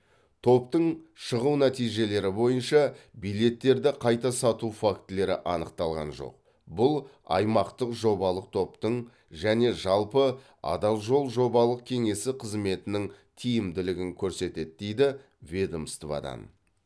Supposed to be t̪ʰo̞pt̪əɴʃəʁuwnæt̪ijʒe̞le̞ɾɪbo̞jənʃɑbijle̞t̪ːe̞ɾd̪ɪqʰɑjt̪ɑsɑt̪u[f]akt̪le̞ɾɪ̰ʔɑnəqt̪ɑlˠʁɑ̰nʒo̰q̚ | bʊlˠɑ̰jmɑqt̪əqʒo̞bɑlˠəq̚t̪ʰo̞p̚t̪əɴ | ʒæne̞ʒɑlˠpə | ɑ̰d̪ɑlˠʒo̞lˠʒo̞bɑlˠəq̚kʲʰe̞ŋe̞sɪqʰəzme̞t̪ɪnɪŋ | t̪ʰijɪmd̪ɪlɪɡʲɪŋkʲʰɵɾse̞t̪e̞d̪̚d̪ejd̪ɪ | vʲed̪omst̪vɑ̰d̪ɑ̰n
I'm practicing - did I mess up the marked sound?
no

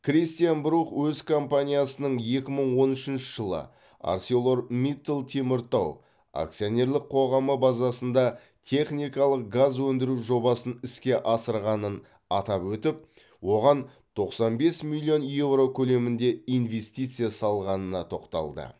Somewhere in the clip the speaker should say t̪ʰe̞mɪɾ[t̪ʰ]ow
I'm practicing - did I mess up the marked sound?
yes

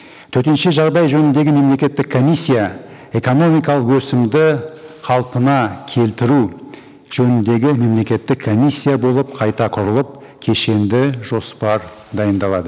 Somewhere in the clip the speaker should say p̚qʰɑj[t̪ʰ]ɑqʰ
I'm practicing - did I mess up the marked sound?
yes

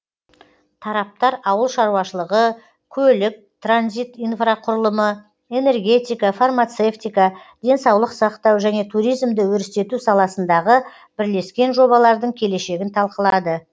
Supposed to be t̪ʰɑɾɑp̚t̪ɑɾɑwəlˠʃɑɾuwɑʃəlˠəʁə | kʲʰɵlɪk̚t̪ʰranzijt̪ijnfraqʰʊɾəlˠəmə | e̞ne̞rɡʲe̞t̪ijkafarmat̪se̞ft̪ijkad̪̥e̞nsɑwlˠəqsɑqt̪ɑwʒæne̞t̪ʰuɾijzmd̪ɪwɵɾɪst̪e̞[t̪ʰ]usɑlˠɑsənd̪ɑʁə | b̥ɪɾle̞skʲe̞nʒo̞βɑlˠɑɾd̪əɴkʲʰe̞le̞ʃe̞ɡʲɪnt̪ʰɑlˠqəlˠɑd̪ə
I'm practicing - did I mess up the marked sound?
yes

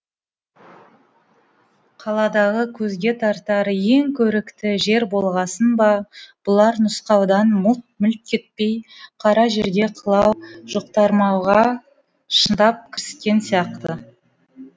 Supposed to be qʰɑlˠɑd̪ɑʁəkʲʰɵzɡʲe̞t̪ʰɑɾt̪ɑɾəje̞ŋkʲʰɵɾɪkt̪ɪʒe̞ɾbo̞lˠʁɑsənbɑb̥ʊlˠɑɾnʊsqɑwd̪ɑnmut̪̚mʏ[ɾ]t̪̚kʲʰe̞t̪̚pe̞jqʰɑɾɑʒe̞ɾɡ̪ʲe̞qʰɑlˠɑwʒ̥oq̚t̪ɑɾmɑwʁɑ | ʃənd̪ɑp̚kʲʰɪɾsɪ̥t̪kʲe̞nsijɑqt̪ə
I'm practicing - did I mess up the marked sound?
yes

